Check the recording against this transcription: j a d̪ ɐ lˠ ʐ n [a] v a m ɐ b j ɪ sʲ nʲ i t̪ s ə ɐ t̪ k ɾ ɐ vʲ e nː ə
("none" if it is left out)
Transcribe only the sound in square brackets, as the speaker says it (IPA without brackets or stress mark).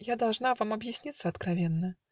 a